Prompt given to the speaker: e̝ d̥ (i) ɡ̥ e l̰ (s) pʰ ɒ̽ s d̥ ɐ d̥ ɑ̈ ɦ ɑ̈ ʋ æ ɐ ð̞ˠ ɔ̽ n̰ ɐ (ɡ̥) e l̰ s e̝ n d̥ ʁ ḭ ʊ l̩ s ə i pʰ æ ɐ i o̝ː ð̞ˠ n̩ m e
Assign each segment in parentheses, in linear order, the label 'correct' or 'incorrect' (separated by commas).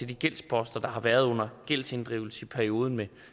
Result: correct, correct, correct